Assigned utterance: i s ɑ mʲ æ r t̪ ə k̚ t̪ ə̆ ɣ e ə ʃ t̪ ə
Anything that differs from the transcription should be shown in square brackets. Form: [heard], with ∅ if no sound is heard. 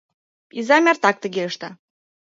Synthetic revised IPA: i [z] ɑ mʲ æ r t̪ [ɑ] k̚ t̪ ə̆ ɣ e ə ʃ t̪ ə